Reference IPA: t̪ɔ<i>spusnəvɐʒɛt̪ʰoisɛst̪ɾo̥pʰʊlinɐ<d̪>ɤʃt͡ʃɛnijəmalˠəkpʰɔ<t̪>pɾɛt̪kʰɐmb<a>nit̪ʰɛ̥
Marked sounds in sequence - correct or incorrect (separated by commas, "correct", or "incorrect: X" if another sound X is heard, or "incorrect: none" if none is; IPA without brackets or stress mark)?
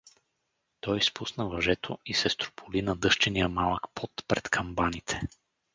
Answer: incorrect: j, correct, correct, correct